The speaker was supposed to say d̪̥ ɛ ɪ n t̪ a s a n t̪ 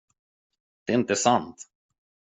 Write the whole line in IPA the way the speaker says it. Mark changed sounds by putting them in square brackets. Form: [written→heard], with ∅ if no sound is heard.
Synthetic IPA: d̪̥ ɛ ɪ n t̪ [a→ə] s a n t̪